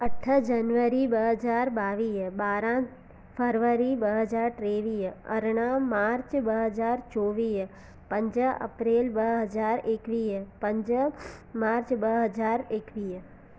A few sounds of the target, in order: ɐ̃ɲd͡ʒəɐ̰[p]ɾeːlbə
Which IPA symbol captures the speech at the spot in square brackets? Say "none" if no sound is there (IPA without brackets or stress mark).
p